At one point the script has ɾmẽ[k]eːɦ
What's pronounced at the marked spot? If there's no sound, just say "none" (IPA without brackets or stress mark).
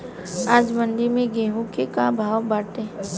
ɡ